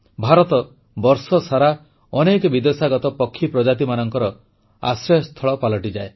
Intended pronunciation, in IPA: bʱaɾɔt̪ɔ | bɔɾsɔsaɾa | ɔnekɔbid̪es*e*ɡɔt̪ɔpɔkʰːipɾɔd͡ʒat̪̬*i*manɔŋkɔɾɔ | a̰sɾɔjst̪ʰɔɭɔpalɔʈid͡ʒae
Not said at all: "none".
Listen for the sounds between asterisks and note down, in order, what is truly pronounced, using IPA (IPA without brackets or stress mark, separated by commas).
a, i